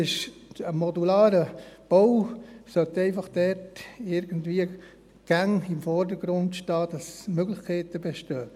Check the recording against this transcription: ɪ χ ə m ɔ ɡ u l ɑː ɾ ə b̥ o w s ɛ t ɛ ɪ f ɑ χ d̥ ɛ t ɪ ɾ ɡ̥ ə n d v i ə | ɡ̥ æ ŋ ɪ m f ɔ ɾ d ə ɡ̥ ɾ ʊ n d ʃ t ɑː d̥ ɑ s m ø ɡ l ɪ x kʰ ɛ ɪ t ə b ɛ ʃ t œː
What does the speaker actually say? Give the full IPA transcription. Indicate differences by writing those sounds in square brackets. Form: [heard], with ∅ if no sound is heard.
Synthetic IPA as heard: ɪ [ʃ] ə m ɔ [d] u l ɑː ɾ ə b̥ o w s [œ] t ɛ ɪ f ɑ χ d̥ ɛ t ɪ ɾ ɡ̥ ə n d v i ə | ɡ̥ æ ŋ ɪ m f ɔ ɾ d ə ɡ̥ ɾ ʊ n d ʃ t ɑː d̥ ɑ s m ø ɡ l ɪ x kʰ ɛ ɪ t ə b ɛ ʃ t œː

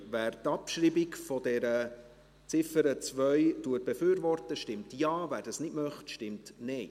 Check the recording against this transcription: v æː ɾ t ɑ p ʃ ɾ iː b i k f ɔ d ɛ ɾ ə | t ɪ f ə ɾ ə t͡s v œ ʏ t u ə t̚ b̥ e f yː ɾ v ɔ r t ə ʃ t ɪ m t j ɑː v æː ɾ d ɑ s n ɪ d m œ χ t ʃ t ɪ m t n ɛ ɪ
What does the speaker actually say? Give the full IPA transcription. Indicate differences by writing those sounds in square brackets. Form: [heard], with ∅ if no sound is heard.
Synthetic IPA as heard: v æː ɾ t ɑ p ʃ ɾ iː b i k f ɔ d ɛ ɾ ə | [t͡s] ɪ f ə ɾ ə t͡s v œ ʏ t u ə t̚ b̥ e f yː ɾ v ɔ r t ə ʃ t ɪ m t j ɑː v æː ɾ d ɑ s n ɪ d m œ χ t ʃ t ɪ m t n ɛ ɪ

